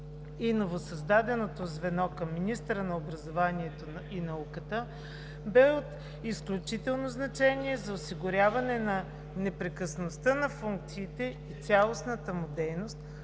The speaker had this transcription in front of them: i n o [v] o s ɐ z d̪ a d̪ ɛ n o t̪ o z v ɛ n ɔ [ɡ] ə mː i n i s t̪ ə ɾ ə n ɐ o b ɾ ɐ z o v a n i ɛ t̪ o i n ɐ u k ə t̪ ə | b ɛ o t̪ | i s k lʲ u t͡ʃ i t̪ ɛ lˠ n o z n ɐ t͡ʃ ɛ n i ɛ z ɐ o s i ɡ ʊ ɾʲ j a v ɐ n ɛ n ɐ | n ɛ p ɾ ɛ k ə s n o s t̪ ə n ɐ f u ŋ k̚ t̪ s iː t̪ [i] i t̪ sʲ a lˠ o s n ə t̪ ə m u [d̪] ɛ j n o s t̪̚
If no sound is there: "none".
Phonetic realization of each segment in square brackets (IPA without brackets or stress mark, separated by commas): v, k, ɛ, d̪